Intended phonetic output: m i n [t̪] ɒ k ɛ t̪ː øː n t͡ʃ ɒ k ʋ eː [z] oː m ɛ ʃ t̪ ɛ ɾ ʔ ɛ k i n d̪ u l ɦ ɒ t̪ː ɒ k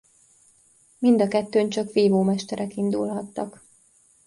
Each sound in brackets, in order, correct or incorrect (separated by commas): incorrect, incorrect